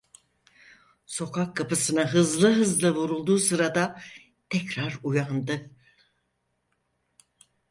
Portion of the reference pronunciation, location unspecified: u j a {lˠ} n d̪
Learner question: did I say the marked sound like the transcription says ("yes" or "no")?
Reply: no